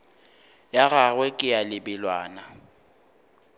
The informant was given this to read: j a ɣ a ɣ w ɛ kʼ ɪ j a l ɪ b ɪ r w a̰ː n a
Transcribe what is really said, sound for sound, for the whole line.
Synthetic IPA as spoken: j a ɣ a ɣ w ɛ kʼ ɪ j a l ɪ b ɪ l w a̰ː n a